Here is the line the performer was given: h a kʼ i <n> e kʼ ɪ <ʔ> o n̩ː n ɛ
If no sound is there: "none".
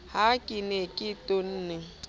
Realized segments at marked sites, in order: n, t

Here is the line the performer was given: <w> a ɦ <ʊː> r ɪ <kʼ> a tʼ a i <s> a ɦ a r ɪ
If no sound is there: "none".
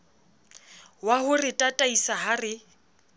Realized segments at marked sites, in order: w, ʊ, tʼ, s

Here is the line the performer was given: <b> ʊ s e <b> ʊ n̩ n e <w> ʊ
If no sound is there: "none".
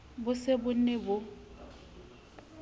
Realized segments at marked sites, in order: b, b, b

